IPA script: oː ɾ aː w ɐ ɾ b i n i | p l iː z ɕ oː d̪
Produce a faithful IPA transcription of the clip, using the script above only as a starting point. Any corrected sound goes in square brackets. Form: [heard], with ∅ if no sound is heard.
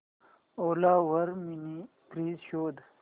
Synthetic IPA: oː [l] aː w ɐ ɾ [m] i n i | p [ɾ] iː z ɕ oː d̪

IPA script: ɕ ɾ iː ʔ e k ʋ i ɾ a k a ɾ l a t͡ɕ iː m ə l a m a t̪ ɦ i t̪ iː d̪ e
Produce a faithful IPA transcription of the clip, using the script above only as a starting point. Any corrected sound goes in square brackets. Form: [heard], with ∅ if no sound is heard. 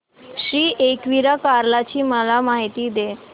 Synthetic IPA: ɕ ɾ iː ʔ e k ʋ i ɾ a k a ɾ l a t͡ɕ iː m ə l a m a [∅] ɦ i t̪ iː d̪ e

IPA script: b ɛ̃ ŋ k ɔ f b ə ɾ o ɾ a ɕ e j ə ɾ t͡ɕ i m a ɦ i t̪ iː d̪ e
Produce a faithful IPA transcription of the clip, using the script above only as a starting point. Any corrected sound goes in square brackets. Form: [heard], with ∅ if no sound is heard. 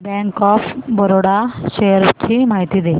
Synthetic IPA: b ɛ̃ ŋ k ɔ f b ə ɾ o [ɽ] a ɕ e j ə ɾ t͡ɕ i m a ɦ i t̪ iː d̪ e

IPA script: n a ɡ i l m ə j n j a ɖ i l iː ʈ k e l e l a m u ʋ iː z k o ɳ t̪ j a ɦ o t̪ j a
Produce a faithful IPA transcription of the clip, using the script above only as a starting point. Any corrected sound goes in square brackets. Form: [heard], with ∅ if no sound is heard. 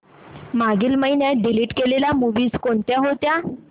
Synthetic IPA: [m] a ɡ i l m ə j n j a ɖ i l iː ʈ k e l e l a m u ʋ iː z k o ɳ t̪ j a ɦ o t̪ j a

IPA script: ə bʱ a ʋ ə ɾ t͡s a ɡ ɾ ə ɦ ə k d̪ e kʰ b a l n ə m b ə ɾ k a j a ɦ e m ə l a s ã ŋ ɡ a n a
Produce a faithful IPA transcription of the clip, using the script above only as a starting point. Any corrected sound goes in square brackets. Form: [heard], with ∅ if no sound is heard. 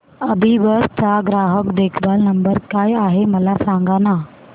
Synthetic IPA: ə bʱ [i] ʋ ə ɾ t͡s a ɡ ɾ [a] ɦ ə k d̪ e kʰ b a l n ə m b ə ɾ k a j a ɦ e m ə l a s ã ŋ ɡ a n a

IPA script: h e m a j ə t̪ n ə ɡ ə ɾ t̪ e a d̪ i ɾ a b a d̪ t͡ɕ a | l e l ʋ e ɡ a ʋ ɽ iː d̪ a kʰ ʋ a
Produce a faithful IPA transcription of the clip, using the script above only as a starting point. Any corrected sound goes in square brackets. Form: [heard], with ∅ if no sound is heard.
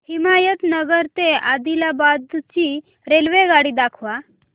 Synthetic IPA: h [i] m a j ə t̪ n ə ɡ ə ɾ t̪ e a d̪ i [l] a b a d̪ t͡ɕ [i] | [ɾ] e l ʋ e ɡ a [∅] ɽ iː d̪ a kʰ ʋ a

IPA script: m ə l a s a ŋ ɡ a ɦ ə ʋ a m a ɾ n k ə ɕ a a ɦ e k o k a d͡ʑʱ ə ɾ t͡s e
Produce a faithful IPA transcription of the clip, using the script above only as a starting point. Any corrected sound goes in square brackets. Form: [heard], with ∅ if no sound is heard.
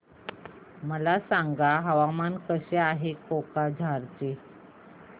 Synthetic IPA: m ə l a s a ŋ ɡ a ɦ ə ʋ a m a [∅] n k ə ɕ [e] a ɦ e k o k a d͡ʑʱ [a] ɾ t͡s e

